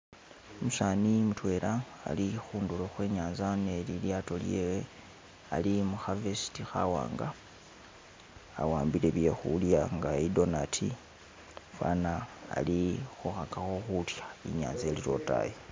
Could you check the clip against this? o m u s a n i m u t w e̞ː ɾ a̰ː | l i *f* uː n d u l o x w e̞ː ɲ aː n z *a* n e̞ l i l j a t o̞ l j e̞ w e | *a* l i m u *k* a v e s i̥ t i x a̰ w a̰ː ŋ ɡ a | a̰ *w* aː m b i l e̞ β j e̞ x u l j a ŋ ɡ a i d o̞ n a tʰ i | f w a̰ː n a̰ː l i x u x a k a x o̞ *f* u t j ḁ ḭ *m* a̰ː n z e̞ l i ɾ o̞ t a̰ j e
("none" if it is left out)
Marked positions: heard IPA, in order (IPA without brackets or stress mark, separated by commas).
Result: x, a, a, x, w, x, ɲ